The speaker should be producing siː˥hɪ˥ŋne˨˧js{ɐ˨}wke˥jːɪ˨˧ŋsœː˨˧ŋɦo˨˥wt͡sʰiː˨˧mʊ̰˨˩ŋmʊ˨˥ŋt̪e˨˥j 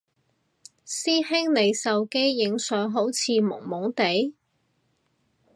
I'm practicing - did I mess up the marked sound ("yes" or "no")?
no